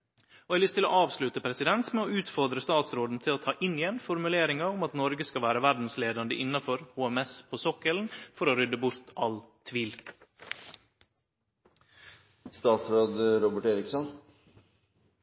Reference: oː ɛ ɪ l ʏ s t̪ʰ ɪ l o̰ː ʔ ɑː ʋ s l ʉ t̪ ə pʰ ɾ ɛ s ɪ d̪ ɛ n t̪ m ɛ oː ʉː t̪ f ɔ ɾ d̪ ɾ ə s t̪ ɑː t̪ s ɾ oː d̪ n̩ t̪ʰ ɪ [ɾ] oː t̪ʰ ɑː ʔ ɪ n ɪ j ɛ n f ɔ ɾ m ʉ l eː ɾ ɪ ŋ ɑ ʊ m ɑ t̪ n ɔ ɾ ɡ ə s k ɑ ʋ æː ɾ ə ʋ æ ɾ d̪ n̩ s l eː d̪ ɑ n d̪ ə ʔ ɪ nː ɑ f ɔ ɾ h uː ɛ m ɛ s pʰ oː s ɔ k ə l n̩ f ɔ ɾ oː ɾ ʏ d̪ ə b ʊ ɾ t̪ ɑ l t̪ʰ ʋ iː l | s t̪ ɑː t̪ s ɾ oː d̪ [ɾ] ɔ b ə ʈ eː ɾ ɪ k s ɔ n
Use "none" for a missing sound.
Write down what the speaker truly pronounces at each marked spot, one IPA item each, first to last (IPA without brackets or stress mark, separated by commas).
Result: l, ɾ